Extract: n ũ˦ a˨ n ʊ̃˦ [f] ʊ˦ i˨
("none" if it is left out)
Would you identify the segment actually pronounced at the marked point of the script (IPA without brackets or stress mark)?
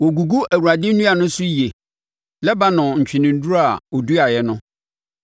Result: s